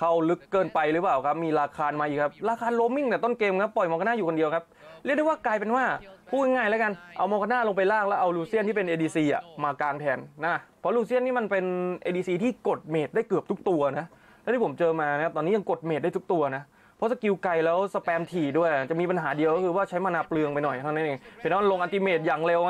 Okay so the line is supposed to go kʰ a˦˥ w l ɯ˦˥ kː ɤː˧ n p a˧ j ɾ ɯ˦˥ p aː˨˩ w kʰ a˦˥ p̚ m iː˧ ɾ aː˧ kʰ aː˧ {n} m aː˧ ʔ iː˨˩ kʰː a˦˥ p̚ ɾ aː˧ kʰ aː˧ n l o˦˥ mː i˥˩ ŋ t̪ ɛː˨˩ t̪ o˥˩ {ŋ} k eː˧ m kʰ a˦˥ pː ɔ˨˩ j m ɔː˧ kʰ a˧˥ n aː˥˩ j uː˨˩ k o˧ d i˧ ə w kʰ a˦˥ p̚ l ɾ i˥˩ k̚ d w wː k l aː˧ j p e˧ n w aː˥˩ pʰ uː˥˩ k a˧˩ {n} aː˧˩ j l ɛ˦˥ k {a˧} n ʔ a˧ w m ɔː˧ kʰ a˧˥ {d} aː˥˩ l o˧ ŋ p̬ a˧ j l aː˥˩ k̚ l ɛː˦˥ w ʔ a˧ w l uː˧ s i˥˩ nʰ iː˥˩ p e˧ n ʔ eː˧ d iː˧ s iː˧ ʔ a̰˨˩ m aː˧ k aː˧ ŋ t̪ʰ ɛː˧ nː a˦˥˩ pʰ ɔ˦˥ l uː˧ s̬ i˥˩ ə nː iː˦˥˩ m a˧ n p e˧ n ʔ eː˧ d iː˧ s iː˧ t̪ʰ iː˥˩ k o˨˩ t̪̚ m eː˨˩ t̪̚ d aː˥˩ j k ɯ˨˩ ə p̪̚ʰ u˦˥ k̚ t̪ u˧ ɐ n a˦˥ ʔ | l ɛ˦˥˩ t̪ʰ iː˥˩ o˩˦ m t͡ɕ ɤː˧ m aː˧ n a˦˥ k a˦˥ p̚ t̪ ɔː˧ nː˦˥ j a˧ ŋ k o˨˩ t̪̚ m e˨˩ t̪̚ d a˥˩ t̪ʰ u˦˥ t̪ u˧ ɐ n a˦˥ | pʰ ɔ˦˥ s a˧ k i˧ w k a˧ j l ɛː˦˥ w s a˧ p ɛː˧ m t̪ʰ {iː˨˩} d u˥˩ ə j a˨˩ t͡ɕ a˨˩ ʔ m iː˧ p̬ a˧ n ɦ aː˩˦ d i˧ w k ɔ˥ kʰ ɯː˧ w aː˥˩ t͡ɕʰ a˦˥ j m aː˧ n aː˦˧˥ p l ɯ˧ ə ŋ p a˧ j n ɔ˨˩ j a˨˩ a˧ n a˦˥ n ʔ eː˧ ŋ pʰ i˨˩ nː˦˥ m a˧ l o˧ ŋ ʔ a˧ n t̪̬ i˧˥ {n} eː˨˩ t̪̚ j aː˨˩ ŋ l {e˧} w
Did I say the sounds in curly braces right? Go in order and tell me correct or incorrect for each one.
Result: correct, incorrect: n, incorrect: ŋ, correct, incorrect: n, correct, incorrect: m, correct

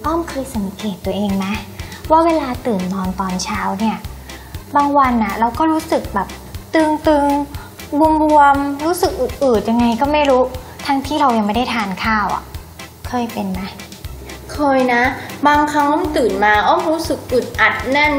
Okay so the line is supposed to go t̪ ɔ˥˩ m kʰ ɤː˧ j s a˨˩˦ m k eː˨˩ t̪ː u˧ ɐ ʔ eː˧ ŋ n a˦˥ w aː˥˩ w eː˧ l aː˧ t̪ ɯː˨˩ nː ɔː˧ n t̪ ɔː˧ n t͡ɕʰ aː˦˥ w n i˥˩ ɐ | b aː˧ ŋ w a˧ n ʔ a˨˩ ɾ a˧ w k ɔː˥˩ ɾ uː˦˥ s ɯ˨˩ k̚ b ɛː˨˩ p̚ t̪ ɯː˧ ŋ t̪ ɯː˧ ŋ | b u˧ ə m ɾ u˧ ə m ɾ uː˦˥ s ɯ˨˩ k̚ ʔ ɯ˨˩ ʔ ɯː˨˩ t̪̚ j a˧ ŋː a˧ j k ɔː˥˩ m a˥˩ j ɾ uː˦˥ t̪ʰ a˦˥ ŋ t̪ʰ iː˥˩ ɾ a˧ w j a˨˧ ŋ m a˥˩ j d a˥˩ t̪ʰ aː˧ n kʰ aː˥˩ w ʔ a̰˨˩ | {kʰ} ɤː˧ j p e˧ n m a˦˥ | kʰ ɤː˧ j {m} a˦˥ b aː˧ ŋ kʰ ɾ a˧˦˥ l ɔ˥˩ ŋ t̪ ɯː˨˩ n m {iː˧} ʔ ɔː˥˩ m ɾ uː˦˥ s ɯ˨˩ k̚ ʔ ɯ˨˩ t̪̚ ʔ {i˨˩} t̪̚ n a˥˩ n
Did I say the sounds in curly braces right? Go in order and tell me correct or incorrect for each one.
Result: correct, incorrect: n, incorrect: aː˧, incorrect: a˨˩

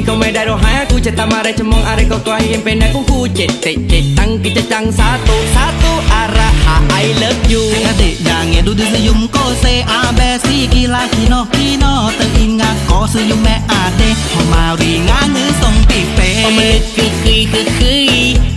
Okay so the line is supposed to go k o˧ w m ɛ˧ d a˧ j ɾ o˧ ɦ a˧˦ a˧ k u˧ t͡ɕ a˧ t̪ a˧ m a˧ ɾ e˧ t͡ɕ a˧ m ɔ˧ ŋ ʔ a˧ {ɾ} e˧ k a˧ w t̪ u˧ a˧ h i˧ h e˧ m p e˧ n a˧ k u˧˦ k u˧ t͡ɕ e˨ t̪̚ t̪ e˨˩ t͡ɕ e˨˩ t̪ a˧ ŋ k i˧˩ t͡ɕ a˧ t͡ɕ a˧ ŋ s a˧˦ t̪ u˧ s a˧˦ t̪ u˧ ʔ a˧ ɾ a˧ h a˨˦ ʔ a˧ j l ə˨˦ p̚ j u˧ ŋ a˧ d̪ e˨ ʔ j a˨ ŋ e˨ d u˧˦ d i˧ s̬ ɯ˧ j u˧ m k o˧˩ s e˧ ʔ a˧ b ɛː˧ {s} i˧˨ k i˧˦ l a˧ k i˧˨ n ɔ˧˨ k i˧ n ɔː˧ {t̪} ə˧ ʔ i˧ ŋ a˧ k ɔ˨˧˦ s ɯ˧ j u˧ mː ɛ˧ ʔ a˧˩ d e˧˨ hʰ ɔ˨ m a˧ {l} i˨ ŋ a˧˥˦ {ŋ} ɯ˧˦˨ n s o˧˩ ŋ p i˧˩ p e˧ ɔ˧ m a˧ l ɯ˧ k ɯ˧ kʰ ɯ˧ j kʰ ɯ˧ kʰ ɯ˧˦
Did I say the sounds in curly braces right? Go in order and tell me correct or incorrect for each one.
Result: correct, correct, correct, incorrect: ɾ, correct

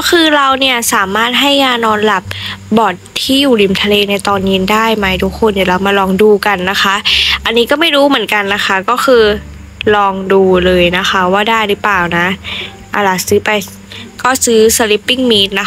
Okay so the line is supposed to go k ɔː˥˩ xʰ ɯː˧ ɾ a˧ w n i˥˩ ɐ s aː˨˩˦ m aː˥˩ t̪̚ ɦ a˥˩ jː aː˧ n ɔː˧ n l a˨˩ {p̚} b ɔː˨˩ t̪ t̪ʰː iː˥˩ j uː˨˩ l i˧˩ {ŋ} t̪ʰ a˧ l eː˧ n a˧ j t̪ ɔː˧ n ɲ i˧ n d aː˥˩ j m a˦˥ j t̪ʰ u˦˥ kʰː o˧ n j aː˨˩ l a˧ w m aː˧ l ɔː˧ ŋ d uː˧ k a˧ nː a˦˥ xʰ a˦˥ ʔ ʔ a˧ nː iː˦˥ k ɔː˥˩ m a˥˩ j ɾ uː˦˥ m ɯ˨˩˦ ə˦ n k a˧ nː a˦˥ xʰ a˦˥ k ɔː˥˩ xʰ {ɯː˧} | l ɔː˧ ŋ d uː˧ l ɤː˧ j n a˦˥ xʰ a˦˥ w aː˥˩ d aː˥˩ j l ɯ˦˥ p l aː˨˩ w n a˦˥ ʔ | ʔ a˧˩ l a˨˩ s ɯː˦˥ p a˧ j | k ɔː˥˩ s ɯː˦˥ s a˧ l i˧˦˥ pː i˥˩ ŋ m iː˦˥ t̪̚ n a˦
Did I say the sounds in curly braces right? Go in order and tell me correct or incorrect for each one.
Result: correct, incorrect: m, correct

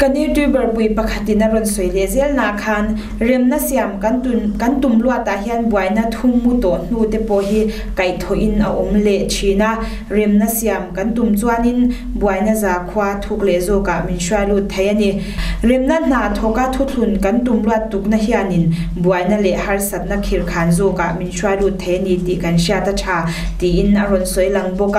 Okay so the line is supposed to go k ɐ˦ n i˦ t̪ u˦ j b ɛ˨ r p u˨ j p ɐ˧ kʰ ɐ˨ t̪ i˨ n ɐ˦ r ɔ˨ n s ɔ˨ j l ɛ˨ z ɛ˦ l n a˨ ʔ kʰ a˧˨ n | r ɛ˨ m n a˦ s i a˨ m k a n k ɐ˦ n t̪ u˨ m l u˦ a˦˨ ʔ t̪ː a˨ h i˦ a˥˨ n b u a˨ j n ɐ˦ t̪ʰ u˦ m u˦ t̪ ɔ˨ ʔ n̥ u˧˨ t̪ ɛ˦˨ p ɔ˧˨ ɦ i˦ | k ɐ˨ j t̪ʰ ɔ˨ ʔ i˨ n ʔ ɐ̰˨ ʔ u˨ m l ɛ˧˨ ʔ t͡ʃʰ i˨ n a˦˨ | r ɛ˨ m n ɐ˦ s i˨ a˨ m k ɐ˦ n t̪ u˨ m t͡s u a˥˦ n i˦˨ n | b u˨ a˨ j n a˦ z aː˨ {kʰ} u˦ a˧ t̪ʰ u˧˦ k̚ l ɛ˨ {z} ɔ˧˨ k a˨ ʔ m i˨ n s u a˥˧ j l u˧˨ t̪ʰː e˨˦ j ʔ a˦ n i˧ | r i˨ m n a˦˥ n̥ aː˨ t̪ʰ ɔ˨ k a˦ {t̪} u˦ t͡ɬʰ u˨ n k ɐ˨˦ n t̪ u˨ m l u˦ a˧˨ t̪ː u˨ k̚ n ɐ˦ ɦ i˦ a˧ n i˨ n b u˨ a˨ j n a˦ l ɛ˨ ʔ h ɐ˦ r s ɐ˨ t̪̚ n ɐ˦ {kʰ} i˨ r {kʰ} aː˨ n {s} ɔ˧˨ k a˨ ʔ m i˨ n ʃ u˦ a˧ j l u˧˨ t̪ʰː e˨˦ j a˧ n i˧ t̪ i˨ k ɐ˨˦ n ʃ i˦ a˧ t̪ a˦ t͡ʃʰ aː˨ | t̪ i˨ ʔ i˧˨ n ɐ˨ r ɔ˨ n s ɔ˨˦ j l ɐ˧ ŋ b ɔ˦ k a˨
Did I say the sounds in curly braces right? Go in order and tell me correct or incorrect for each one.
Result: correct, correct, incorrect: t̪ʰ, correct, correct, incorrect: z

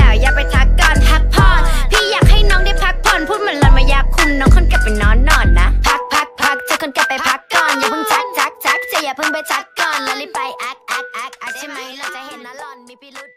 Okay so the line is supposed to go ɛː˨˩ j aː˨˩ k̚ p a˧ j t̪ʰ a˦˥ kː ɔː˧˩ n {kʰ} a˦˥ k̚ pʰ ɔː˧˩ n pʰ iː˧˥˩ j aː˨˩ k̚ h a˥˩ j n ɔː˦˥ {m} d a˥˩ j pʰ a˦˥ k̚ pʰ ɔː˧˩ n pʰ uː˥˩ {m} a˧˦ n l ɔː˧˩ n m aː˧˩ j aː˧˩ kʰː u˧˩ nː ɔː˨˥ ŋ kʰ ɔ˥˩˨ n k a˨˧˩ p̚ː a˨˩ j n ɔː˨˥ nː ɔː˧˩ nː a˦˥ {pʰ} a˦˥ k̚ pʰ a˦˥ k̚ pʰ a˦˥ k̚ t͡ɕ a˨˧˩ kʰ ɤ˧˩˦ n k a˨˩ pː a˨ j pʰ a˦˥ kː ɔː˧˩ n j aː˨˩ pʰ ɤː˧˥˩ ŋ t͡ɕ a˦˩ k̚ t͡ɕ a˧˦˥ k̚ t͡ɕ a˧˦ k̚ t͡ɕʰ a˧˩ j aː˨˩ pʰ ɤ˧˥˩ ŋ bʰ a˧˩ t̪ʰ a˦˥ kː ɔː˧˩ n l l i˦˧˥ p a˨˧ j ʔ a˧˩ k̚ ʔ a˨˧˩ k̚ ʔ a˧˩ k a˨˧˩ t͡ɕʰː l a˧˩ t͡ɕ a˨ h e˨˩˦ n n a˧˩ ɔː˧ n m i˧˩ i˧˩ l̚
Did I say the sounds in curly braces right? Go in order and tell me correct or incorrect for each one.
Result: incorrect: pʰ, incorrect: ŋ, correct, correct

